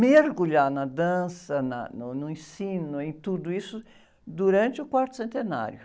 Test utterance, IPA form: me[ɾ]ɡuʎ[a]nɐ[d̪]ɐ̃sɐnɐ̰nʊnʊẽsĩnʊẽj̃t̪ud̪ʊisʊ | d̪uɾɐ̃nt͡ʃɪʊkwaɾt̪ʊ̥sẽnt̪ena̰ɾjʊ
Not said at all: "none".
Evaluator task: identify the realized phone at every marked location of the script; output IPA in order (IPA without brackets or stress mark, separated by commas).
ɾ, a, d̪